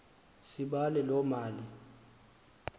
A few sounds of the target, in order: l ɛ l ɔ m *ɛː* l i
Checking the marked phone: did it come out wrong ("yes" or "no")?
yes